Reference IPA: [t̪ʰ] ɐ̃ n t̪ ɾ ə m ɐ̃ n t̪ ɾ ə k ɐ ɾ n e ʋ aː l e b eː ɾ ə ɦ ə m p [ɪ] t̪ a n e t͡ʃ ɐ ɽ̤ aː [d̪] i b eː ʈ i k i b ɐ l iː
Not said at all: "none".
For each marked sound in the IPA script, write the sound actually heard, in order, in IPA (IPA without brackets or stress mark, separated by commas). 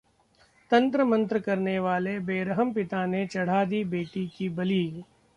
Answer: t̪, ɪ, d̪